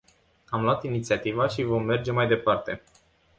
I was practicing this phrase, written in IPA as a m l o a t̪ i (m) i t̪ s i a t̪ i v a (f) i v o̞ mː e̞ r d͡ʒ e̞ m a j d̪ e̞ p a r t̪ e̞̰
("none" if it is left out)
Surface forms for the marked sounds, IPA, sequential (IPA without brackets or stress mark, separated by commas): n, ʃ